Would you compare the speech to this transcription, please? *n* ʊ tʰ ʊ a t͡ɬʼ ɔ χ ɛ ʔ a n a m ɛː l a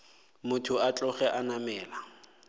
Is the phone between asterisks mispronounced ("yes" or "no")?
yes